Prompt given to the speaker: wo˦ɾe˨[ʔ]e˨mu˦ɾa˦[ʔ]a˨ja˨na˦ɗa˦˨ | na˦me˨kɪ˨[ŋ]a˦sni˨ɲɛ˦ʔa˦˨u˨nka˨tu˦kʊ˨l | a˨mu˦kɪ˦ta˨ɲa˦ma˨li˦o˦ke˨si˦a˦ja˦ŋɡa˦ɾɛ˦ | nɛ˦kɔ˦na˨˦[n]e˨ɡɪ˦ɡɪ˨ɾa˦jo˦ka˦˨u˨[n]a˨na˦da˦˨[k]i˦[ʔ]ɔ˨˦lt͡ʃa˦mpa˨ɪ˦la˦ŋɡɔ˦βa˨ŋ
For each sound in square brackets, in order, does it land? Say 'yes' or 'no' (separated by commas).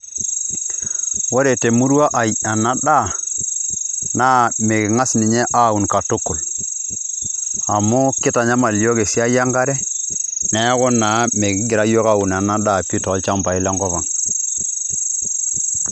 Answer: no, yes, yes, no, yes, no, no